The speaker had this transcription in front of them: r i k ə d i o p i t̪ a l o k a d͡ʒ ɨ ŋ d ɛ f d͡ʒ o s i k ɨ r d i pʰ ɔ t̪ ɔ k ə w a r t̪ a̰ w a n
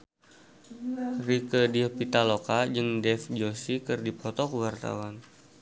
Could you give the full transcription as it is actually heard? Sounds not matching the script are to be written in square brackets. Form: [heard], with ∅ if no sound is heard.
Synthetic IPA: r i k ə d i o p i t̪ a l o k a d͡ʒ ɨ ŋ d ɛ f d͡ʒ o s i k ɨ r d i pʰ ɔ t̪ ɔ k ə w a r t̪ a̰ w a n

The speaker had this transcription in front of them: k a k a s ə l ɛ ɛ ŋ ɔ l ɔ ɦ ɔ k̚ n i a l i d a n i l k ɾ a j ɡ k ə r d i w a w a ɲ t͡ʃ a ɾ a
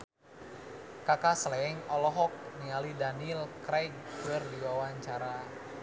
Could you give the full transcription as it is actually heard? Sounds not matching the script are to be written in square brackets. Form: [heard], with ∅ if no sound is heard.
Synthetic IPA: k a k a s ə l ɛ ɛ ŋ ɔ l ɔ ɦ ɔ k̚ n i a l i d a n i l k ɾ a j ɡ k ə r d i w a w a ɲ t͡ʃ a ɾ a

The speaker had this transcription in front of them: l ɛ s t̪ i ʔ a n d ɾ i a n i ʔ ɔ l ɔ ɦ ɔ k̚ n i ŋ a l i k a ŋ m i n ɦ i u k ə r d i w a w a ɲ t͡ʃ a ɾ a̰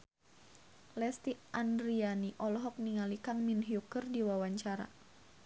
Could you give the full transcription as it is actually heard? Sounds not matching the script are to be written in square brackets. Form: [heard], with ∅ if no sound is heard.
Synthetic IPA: l ɛ s t̪ i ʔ a n d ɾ i a n i ʔ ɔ l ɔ ɦ ɔ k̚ n i ŋ a l i k a ŋ m i n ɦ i u k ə r d i w a w a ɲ t͡ʃ a ɾ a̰

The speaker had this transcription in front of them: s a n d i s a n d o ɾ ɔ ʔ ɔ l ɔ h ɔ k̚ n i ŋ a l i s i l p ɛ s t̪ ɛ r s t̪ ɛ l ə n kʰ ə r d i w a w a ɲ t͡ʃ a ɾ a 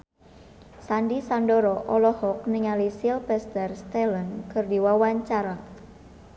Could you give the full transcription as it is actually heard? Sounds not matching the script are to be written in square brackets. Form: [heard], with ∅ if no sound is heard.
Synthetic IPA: s a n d i s a n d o ɾ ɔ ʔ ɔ l ɔ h ɔ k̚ n i ŋ a l i s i l p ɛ s t̪ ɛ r s t̪ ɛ l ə n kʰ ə r d i w a w a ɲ t͡ʃ a ɾ a

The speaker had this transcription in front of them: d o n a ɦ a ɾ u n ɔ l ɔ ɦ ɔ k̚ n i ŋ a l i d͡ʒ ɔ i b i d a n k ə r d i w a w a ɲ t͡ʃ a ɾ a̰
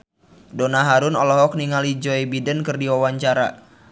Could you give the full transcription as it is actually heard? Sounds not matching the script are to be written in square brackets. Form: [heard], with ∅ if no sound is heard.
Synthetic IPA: d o n a ɦ a ɾ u n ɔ l ɔ ɦ ɔ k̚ n i ŋ a l i d͡ʒ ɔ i b i d [ə] n k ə r d i w a w a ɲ t͡ʃ a ɾ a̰

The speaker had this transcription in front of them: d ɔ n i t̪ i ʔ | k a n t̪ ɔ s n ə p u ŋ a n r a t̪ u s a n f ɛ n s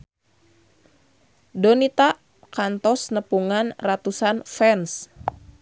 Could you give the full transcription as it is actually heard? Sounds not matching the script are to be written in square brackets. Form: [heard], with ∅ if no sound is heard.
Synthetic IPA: d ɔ n i t̪ [a] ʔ | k a n t̪ ɔ s n ə p u ŋ a n r a t̪ u s a n f ɛ n s

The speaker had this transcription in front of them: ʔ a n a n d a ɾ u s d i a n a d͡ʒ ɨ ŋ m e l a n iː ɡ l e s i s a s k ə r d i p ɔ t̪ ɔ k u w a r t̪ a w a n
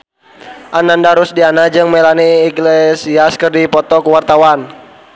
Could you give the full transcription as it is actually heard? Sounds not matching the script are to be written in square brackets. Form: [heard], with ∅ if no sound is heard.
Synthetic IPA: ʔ a n a n d a ɾ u s d i a n a d͡ʒ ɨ ŋ m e l a n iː ɡ l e s i [∅] a s k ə r d i p ɔ t̪ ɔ k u w a r t̪ a w a n

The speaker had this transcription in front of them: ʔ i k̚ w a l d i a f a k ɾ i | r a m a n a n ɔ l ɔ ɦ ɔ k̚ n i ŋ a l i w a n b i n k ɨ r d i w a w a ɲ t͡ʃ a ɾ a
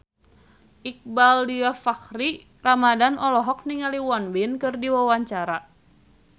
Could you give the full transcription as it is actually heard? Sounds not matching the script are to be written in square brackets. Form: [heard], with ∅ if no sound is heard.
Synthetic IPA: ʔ i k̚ [b] a l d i a f a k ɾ i | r a m a [d] a n ɔ l ɔ ɦ ɔ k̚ n i ŋ a l i w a n b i n k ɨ r d i w a w a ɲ t͡ʃ a ɾ a

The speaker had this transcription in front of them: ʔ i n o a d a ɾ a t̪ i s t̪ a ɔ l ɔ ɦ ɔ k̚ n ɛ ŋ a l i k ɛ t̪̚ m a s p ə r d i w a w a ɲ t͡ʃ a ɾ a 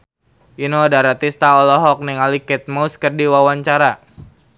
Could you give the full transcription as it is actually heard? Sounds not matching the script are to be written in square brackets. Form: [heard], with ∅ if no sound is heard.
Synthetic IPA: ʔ i n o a d a ɾ a t̪ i s t̪ a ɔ l ɔ ɦ ɔ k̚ n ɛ ŋ a l i k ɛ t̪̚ m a s [k] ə r d i w a w a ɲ t͡ʃ a ɾ a

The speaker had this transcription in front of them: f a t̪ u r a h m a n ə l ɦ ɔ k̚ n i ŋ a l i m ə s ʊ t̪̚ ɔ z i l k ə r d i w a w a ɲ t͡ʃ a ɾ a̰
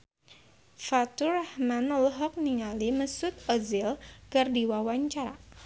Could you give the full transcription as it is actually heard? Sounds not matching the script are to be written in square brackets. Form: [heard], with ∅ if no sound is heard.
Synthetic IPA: f a t̪ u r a h m a n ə l ɦ ɔ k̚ n i ŋ a l i m ə s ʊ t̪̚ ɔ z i l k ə r d i w a w a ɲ t͡ʃ a ɾ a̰

